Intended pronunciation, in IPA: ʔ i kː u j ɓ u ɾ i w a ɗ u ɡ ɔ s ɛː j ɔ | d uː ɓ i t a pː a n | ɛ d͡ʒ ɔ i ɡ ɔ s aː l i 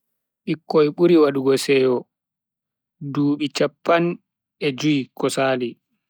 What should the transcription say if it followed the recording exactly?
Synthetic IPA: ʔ i kː ɔ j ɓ u ɾ i w a ɗ u ɡ ɔ s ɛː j ɔ | d uː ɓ i t͡ʃ a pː a n | ɛ d͡ʒ u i k ɔ s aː l i